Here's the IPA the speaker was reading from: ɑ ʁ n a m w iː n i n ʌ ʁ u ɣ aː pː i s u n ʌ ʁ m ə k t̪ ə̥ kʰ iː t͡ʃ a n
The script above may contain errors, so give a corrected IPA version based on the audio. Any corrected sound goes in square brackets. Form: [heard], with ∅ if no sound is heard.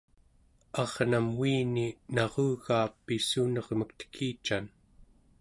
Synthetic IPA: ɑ ʁ n a m w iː n i n [ɑ] ʁ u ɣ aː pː i s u n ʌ ʁ m ə k t̪ ə̥ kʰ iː t͡ʃ a n